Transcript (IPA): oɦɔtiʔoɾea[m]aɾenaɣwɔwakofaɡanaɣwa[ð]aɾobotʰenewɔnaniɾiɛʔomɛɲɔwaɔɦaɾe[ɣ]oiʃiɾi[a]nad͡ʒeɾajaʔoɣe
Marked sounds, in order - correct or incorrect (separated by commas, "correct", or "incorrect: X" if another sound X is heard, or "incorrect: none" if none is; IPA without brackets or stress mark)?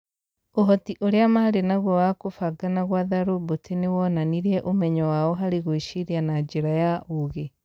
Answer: correct, correct, correct, correct